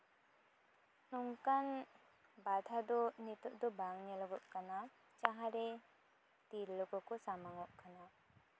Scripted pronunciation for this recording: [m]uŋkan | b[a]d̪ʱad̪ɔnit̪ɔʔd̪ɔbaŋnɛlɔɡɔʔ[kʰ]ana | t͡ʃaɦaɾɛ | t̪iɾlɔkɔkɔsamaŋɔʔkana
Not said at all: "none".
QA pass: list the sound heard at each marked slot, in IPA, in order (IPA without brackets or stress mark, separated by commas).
n, a, k